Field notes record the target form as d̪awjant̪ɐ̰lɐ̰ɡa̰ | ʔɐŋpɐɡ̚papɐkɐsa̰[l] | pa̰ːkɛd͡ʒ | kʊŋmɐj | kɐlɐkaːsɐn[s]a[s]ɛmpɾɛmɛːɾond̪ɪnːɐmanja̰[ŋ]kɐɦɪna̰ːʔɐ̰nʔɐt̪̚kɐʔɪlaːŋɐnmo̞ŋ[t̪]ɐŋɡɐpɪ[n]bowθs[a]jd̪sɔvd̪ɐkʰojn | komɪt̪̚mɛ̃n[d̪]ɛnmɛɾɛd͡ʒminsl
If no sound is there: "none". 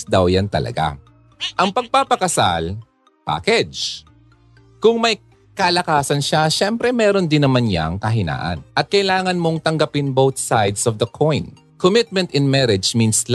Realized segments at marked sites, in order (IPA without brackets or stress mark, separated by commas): l, ʃ, ʃ, ŋ, t̪, n, a, t̪